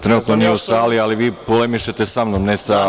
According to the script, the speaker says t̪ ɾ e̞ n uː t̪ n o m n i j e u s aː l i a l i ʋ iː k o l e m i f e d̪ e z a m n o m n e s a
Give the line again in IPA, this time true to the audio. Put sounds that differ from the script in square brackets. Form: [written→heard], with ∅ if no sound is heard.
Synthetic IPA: t̪ ɾ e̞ n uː t̪ n o [m→∅] n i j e u s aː l i a l i ʋ iː [k→p] o l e m i [f→ʃ] e [d̪→t̪] e [z→s] a m n o m n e s a